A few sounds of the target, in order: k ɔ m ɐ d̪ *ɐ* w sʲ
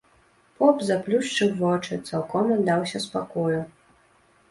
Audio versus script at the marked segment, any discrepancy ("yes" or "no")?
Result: yes